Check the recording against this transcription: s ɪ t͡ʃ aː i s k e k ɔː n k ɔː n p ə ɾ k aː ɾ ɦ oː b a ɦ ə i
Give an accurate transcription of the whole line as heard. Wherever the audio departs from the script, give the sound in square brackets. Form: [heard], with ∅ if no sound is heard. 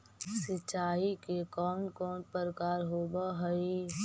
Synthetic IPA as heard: s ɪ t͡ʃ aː i [∅] k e k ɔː n k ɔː n p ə ɾ k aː ɾ ɦ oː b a ɦ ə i